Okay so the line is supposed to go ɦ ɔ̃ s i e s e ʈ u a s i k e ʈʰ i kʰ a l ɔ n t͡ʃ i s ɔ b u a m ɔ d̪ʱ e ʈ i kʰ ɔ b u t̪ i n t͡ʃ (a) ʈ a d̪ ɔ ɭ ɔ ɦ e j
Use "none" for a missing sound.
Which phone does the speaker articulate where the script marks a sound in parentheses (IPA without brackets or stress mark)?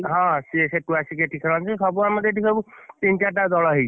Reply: a